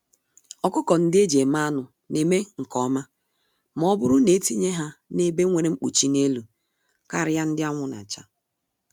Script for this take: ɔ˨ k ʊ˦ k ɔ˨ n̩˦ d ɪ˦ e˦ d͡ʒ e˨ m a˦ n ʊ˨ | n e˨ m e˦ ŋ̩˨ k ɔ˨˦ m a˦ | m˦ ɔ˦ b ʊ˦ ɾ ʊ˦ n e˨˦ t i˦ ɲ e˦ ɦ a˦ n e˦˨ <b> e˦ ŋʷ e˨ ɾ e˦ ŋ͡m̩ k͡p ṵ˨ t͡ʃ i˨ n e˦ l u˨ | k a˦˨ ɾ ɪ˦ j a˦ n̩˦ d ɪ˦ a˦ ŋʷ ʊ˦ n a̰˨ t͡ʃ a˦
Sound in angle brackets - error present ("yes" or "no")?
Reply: no